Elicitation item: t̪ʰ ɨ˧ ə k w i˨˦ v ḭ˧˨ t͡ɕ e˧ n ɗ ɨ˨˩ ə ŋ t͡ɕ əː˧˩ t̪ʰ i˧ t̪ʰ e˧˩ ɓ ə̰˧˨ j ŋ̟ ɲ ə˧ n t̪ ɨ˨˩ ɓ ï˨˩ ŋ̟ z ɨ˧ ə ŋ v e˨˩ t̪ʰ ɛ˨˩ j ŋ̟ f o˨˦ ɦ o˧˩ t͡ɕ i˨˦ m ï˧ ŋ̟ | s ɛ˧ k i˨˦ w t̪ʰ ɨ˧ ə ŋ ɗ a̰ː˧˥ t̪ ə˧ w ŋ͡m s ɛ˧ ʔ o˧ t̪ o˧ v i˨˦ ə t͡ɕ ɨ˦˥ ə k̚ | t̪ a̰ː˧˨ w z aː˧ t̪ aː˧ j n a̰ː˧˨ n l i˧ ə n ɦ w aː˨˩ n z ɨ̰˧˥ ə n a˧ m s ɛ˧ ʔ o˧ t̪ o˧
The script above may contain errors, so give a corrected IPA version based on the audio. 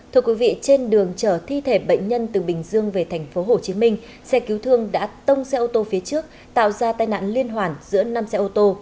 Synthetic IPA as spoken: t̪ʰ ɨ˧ ə k w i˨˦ v ḭ˧˨ t͡ɕ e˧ n ɗ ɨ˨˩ ə ŋ t͡ɕ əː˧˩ t̪ʰ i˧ t̪ʰ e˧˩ ɓ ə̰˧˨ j ŋ̟ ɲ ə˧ n t̪ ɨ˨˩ ɓ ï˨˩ ŋ̟ z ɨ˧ ə ŋ v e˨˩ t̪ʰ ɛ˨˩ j ŋ̟ f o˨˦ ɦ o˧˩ t͡ɕ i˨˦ m ï˧ ŋ̟ | s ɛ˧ k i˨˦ w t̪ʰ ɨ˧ ə ŋ ɗ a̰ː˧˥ t̪ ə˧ w ŋ͡m s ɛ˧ ʔ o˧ t̪ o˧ f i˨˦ ə t͡ɕ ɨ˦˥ ə k̚ | t̪ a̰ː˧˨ w z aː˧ t̪ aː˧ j n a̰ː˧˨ n l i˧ ə n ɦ w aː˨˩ n z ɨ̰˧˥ ə n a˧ m s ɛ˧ ʔ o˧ t̪ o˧